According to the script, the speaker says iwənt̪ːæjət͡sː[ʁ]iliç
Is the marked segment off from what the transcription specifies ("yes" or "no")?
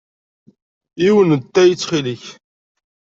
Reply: yes